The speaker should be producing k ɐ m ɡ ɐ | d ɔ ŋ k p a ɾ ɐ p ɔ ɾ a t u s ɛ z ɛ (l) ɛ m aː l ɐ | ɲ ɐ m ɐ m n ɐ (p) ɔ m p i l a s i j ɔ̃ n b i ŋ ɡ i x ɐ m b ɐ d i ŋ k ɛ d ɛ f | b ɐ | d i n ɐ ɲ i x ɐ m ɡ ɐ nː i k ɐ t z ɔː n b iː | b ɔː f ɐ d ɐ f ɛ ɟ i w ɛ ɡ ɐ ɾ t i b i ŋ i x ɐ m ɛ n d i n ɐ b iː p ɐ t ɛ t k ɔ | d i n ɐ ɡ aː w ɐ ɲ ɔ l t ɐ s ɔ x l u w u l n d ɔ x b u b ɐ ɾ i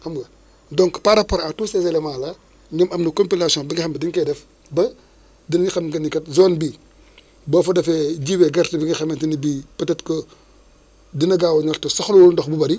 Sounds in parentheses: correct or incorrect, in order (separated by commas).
correct, incorrect